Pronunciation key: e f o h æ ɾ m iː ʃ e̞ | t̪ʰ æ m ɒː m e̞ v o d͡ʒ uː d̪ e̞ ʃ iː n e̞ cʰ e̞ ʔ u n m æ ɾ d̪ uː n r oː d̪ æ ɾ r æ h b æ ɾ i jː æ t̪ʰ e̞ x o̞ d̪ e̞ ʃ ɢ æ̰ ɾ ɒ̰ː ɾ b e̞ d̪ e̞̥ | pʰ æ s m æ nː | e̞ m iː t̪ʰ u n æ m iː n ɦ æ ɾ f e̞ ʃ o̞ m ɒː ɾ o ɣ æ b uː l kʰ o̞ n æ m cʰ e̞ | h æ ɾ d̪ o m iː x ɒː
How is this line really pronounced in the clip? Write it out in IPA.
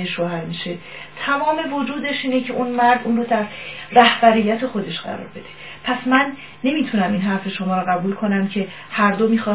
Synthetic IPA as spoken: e ʃ o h æ ɾ m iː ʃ e̞ | t̪ʰ æ m ɒː m e̞ v o d͡ʒ uː d̪ e̞ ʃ iː n e̞ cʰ e̞ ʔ u n m æ ɾ d̪ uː n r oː d̪ æ ɾ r æ h b æ ɾ i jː æ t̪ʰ e̞ x o̞ d̪ e̞ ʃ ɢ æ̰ ɾ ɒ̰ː ɾ b e̞ d̪ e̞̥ | pʰ æ s m æ nː | e̞ m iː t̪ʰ u n æ m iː n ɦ æ ɾ f e̞ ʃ o̞ m ɒː ɾ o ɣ æ b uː l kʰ o̞ n æ m cʰ e̞ | h æ ɾ d̪ o m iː x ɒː